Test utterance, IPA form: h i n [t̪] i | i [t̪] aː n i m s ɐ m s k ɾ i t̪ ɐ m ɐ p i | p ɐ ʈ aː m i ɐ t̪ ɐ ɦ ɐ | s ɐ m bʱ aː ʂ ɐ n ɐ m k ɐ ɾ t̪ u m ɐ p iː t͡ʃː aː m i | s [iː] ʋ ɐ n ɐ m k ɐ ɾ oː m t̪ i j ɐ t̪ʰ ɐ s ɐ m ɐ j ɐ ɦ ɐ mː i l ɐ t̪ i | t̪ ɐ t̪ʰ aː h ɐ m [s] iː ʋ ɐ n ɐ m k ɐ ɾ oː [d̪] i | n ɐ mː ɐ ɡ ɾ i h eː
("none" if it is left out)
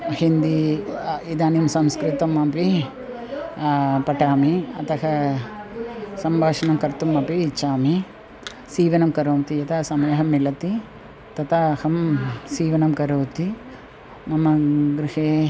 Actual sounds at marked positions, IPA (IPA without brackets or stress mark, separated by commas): d̪, d̪, iː, s, t̪